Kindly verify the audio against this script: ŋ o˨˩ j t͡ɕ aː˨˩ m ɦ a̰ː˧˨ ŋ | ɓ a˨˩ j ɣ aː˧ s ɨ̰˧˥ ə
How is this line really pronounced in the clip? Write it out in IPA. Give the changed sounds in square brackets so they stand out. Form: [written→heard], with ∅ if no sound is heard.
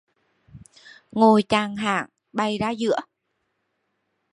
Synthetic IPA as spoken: ŋ o˨˩ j t͡ɕ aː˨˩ [m→ŋ] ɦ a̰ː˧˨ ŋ | ɓ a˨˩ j [ɣ→z] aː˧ [s→z] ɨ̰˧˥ ə